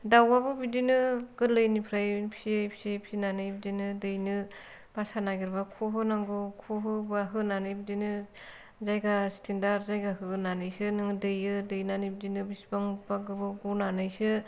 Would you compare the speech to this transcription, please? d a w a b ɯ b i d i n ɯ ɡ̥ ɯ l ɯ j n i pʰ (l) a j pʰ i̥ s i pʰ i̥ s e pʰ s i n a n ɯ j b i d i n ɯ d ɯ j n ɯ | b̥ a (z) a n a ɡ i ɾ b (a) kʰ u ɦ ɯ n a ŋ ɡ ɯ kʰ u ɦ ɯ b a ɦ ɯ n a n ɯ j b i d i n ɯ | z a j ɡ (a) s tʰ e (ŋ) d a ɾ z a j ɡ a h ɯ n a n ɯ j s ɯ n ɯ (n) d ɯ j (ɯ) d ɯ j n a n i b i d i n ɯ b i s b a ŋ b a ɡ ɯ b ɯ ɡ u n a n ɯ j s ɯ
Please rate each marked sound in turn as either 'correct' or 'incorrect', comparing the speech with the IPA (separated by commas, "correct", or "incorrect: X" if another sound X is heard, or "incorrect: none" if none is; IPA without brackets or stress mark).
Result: incorrect: ɾ, incorrect: s, correct, correct, incorrect: n, incorrect: ŋ, correct